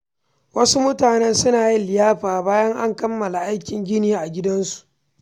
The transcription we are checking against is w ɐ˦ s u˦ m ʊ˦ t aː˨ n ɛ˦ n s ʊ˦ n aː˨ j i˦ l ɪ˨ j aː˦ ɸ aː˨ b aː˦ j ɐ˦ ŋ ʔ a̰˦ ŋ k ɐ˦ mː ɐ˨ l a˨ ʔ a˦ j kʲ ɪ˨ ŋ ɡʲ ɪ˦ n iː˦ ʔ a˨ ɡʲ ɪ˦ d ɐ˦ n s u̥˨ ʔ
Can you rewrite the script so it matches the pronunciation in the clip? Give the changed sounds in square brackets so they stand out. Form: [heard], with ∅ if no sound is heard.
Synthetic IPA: w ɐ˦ s u˦ m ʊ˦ t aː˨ n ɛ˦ n s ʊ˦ n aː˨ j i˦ l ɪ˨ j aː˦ ɸ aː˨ b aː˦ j ɐ˦ ŋ ʔ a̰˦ ŋ k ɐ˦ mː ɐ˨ l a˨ ʔ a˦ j kʲ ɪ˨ ŋ ɡʲ ɪ˦ n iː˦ ʔ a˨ ɡʲ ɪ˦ d ɐ˦ n s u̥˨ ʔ